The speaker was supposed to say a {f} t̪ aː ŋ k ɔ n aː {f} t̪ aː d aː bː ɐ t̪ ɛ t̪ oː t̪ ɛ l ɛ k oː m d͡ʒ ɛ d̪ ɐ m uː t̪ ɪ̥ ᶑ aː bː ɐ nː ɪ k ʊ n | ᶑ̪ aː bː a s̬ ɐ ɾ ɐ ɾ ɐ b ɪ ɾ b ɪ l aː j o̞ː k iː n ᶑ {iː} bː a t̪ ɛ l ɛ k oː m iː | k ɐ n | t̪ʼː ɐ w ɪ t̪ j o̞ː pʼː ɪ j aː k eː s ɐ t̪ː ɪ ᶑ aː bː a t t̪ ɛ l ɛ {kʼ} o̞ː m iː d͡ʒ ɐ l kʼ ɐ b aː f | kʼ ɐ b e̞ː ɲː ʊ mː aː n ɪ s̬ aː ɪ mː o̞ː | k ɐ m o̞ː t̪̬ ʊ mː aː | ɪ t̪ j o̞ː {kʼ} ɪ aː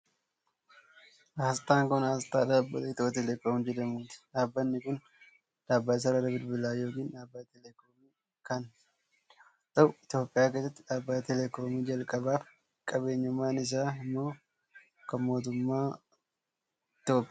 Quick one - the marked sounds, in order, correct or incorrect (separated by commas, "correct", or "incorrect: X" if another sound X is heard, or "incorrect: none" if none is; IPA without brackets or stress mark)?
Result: incorrect: s, incorrect: s, incorrect: aː, incorrect: k, incorrect: pʼ